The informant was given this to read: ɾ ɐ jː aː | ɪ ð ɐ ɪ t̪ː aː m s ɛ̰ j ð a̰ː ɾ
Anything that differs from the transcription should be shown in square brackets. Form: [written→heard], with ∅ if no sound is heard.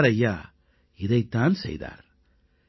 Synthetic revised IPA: ɾ ɐ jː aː | ɪ ð ɐ ɪ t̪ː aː [m→n] s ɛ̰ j ð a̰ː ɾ